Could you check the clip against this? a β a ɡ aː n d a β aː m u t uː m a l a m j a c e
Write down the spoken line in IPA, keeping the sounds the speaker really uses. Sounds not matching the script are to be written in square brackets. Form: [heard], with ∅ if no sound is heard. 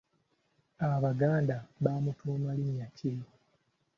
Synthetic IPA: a β a ɡ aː n d a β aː m u t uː m a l [i] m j a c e